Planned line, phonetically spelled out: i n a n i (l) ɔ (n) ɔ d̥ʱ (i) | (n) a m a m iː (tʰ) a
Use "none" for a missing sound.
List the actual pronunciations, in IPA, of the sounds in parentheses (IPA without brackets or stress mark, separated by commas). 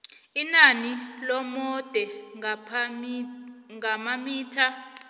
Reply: l, m, ɛ, ŋ, tʰ